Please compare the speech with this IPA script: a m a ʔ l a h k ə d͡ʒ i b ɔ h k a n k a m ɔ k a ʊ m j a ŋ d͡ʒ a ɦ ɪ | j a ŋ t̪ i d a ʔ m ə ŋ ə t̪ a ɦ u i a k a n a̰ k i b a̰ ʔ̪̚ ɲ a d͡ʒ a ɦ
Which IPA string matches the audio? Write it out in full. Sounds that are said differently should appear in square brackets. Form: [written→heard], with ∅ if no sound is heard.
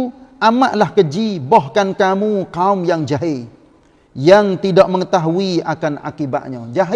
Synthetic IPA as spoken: a m a ʔ l a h k ə d͡ʒ i b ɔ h k a n k a m [ɔ→u] k a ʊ m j a ŋ d͡ʒ a ɦ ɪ | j a ŋ t̪ i d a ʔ m ə ŋ ə t̪ a ɦ u i a k a n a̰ k i b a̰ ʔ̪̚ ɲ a d͡ʒ a ɦ